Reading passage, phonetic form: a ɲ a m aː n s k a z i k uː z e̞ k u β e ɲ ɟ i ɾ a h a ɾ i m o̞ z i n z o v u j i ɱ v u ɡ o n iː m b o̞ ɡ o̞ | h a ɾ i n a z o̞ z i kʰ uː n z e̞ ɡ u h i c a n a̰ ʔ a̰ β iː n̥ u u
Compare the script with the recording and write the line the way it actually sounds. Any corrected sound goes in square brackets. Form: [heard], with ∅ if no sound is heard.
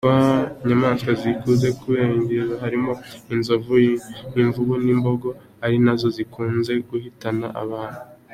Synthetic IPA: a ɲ a m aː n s k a z i k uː z e̞ k u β e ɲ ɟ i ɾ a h a ɾ i m o̞ [∅] i n z o v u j i ɱ v u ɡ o n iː m b o̞ ɡ o̞ | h a ɾ i n a z o̞ z i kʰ uː n z e̞ ɡ u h i [t] a n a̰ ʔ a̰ β [aː] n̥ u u